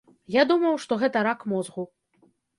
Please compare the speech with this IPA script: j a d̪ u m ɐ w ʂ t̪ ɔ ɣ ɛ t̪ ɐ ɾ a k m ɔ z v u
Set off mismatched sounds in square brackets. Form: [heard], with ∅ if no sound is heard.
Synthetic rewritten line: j a d̪ u m ɐ w ʂ t̪ ɔ ɣ ɛ t̪ ɐ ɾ a k m ɔ z [ɣ] u